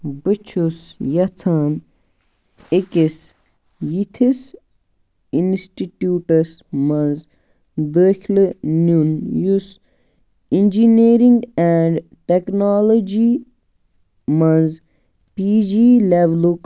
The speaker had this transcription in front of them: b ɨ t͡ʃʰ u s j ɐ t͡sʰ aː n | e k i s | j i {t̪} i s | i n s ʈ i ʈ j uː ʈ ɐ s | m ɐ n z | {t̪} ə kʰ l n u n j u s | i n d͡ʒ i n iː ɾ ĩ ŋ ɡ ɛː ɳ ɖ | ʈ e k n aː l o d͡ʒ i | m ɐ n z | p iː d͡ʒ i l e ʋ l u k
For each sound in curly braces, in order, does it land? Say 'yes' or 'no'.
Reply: no, no

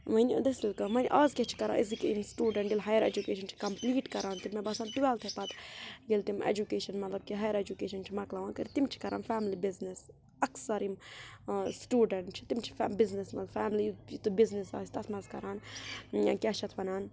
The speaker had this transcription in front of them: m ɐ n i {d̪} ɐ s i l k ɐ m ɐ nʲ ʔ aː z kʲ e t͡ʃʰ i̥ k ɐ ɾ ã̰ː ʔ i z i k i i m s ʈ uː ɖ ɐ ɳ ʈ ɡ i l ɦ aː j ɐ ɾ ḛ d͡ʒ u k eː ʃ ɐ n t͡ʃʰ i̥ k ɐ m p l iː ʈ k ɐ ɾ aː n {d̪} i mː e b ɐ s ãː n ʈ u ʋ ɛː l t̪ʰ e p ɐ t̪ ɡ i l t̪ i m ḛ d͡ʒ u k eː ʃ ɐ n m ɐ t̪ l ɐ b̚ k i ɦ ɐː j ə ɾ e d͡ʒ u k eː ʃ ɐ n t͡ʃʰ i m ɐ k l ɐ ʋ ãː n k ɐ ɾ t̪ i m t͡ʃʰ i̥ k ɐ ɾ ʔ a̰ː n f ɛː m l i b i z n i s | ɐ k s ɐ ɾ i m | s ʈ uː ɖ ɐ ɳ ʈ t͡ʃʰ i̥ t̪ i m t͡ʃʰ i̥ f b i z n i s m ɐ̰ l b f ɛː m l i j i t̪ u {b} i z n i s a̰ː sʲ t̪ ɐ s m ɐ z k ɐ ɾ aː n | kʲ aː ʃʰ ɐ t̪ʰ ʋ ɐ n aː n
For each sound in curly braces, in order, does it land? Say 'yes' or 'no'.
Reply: yes, no, yes

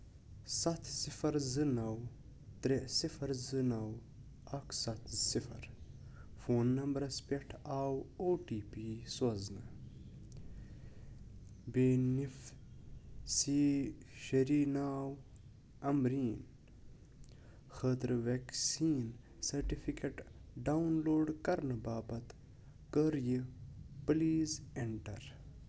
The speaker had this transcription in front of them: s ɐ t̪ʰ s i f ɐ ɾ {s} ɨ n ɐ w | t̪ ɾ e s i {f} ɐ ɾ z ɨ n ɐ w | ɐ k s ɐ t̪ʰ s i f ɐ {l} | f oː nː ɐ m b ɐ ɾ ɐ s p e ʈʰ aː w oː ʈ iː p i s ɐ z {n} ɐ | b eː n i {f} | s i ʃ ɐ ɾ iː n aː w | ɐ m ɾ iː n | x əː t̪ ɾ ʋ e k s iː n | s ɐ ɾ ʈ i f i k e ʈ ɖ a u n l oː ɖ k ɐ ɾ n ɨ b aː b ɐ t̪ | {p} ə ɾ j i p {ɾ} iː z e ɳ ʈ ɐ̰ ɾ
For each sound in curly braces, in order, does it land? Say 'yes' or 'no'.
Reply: no, yes, no, yes, yes, no, no

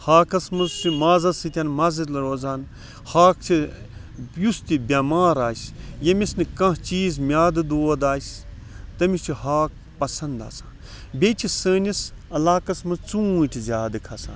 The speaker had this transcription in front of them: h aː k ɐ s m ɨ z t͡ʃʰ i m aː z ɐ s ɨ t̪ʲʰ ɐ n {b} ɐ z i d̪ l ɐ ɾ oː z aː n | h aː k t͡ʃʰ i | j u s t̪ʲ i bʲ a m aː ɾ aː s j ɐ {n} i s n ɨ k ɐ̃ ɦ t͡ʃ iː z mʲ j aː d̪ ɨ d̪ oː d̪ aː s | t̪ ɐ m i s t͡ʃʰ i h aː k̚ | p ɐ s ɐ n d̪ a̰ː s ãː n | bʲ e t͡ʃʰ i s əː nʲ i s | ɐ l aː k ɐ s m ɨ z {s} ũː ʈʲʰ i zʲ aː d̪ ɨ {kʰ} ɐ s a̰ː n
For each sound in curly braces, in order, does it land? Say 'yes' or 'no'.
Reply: no, no, no, yes

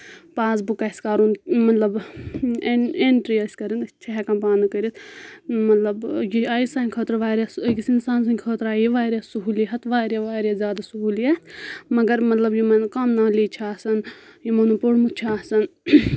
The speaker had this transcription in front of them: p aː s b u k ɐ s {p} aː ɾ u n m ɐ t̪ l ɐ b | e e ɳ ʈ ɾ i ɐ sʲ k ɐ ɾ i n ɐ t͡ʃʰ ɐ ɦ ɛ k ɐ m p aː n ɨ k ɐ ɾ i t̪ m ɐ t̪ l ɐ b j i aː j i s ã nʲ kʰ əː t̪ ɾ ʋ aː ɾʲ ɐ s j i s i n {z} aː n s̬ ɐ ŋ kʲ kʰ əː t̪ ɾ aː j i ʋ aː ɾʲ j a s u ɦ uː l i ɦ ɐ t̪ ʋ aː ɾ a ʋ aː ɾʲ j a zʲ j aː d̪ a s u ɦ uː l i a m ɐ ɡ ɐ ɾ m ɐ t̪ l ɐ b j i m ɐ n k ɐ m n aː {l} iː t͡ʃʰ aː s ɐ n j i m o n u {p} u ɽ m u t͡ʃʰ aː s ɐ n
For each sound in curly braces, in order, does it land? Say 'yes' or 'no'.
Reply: no, no, yes, yes

